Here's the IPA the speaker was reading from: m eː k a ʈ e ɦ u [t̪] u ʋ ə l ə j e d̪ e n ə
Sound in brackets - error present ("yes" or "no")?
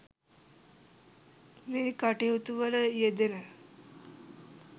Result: no